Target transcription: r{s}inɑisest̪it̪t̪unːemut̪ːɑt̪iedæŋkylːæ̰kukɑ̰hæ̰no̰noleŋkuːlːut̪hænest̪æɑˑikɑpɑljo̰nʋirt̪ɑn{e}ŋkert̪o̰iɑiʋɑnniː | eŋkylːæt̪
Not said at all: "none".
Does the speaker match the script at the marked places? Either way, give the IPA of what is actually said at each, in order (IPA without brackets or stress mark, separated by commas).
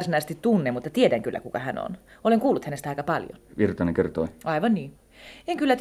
s, e